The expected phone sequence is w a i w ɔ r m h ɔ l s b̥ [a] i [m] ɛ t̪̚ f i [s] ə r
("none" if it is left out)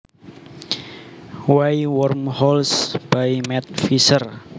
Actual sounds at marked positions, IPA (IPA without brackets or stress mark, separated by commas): a, m, s